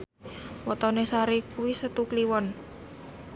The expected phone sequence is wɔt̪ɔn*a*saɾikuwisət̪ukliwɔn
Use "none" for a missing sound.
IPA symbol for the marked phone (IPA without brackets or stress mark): e